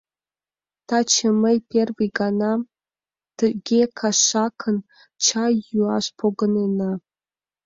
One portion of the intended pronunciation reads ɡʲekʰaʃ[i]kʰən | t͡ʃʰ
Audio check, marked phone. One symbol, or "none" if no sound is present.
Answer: a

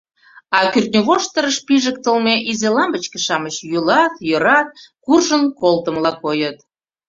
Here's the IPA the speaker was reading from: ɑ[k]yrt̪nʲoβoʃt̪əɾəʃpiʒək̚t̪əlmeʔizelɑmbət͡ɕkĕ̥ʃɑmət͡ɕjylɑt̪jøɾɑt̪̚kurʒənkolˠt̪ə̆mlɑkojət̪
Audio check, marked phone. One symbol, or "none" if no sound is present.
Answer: k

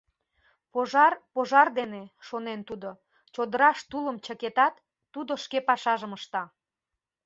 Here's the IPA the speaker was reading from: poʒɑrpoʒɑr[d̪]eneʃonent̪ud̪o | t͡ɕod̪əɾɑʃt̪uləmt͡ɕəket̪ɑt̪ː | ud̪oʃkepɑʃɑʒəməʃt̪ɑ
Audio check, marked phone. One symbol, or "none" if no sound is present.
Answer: d̪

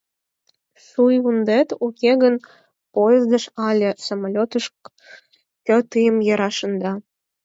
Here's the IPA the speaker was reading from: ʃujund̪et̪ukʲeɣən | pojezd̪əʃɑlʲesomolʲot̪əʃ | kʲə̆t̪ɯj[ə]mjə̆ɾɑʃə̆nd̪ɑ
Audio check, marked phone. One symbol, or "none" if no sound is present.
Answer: ə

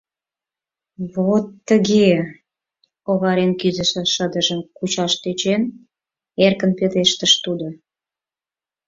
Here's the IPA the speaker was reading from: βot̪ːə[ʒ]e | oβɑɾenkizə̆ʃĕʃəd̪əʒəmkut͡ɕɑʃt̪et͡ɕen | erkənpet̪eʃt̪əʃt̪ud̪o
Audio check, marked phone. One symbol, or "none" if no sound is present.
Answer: ɣ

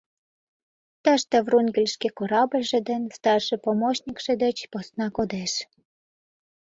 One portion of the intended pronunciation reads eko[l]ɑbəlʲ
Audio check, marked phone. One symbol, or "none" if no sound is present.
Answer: ɾ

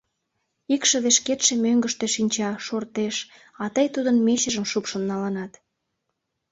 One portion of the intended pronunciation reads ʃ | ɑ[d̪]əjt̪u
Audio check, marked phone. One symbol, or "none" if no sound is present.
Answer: t̪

